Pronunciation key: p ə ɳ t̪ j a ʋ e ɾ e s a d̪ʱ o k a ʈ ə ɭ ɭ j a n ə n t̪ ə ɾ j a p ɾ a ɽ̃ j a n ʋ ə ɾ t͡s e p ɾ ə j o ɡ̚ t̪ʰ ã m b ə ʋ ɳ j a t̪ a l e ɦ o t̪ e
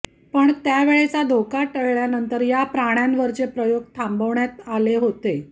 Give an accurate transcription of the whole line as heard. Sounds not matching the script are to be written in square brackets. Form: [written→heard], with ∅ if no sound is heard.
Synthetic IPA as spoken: p ə ɳ t̪ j a ʋ e [ɾ→ɭ] e [s→t͡s] a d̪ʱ o k a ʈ ə ɭ ɭ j a n ə n t̪ ə ɾ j a p ɾ a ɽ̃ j a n ʋ ə ɾ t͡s e p ɾ ə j o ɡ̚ t̪ʰ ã m b ə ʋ ɳ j a t̪ a l e ɦ o t̪ e

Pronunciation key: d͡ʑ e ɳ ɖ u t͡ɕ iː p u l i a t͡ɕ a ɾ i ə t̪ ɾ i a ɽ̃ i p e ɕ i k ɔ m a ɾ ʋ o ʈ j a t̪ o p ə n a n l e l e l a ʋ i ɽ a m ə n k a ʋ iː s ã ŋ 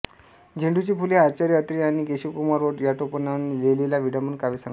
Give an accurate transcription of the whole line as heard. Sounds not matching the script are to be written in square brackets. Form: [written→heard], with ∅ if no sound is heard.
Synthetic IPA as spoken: d͡ʑ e ɳ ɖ u t͡ɕ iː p u l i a t͡ɕ a ɾ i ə t̪ ɾ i a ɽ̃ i [p→k] e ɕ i k [ɔ→u] m a ɾ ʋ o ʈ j a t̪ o p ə n a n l e l e l a ʋ i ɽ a m ə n k a ʋ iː s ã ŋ

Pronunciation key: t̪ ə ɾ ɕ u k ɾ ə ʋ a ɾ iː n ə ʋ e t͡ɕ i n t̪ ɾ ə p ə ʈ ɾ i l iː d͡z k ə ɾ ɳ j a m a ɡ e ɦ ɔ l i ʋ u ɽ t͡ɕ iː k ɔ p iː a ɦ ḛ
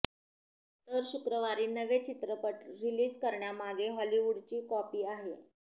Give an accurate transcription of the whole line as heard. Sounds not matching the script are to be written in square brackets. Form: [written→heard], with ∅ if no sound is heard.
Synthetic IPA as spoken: t̪ ə ɾ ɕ u k ɾ ə ʋ a ɾ iː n ə ʋ e t͡ɕ i [n→∅] t̪ ɾ ə p ə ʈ ɾ i l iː d͡z k ə ɾ ɳ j a m a ɡ e ɦ ɔ l i ʋ u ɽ t͡ɕ iː k ɔ p iː a ɦ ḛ

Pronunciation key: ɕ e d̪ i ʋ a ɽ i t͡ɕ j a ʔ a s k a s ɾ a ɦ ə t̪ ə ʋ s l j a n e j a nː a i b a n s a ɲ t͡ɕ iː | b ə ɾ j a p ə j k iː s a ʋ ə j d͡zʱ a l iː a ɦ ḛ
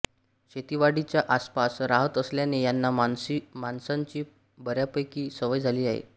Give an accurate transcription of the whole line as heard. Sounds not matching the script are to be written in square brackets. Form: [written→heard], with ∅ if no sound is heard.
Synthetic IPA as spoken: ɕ e [d̪→t̪] i ʋ a ɽ i t͡ɕ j a ʔ a s [k→p] a s ɾ a ɦ ə t̪ ə [ʋ→∅] s l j a n e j a nː a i [b→m] a n s a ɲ t͡ɕ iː | b ə ɾ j a p ə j k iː s [a→ə] ʋ ə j d͡zʱ a l iː a ɦ ḛ

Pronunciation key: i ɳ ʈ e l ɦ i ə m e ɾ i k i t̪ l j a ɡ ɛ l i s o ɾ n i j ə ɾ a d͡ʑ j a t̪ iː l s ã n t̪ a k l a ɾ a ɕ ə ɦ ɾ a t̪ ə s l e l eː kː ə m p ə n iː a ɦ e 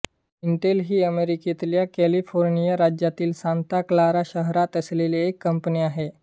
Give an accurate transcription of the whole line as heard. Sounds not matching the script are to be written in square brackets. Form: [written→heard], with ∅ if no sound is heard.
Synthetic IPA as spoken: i ɳ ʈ e l ɦ [i→iː] ə m e ɾ i k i t̪ l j a [ɡ→k] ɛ l i [s→f] o ɾ n i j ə ɾ a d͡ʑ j a t̪ iː l s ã n t̪ a k l a ɾ a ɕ ə ɦ ɾ a t̪ ə s l e l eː kː ə m p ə n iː a ɦ e

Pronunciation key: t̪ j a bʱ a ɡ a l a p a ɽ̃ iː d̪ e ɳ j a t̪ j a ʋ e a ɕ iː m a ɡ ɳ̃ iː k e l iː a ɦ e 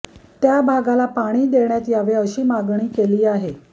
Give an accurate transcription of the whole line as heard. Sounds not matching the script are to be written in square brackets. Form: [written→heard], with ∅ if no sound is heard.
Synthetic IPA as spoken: t̪ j a bʱ a ɡ a l a p a ɽ̃ iː d̪ e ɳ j a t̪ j a ʋ e [a→ə] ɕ iː m a ɡ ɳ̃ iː k e l iː a ɦ e

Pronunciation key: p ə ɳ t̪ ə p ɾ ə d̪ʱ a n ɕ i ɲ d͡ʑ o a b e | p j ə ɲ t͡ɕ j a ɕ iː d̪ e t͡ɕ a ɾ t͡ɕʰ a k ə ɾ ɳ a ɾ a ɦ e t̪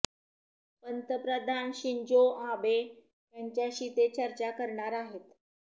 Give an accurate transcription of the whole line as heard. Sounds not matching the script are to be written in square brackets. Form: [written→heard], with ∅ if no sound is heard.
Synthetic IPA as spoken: p ə [ɳ→n] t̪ ə p ɾ ə d̪ʱ a n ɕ i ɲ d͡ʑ o a b e | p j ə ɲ t͡ɕ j a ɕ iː [d̪→t̪] e t͡ɕ [a→ə] ɾ [t͡ɕʰ→t͡ɕ] a k ə ɾ ɳ a ɾ a ɦ e t̪

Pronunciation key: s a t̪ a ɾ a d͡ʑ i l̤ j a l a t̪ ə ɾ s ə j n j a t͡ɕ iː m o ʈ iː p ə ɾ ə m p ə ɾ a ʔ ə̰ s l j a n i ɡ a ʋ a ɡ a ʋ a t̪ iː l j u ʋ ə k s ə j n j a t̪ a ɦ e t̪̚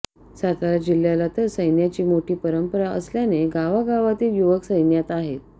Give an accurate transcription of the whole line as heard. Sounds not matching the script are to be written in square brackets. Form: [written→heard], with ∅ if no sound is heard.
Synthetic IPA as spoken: s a t̪ a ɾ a d͡ʑ i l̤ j a l a t̪ ə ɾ s ə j n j a t͡ɕ iː m o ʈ iː p ə ɾ ə m p ə ɾ a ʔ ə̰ s l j a n [i→e] ɡ a ʋ a ɡ a ʋ a t̪ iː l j u ʋ ə k s ə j n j a t̪ a ɦ e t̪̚

